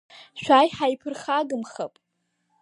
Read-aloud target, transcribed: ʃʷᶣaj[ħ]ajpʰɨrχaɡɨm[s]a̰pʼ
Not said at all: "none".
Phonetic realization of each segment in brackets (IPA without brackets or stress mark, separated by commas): ħ, χ